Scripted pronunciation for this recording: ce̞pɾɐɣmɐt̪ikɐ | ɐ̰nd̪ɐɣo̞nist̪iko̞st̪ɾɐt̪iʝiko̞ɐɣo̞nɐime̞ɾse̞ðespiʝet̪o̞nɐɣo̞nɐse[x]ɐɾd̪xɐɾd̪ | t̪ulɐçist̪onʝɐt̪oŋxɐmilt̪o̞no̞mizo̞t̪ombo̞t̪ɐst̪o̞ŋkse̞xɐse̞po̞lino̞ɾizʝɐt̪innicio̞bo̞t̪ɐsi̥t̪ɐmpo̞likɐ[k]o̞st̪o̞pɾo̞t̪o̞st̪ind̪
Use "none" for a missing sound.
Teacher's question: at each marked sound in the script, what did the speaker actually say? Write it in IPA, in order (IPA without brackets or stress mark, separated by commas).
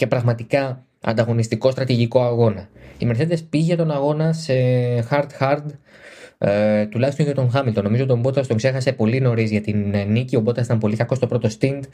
x, k